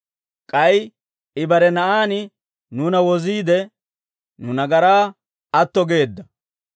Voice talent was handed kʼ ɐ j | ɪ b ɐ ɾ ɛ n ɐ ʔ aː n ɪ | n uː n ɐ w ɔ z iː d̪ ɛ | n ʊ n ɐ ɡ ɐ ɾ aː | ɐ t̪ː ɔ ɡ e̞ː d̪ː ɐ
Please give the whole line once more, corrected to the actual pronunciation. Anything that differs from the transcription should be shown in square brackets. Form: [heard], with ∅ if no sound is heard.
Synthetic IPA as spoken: kʼ ɐ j | ɪ b ɐ ɾ ɛ n ɐ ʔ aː n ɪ | n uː n ɐ w ɔ z iː d̪ ɛ | n ʊ n ɐ ɡ ɐ ɾ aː | ɐ t̪ː ɔ ɡ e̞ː d̪ː ɐ